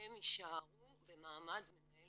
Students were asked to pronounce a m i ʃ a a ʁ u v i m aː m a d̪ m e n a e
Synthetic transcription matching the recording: e m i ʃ a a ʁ u v e m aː m a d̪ m e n a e